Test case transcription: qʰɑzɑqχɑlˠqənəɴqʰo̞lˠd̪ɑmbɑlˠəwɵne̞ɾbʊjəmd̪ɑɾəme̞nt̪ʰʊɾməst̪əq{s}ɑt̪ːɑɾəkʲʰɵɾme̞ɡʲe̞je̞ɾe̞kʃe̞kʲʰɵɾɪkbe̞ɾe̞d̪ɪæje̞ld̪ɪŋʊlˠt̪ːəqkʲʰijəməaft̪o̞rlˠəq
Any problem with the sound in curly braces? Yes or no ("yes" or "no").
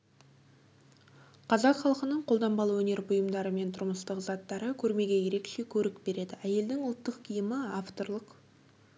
yes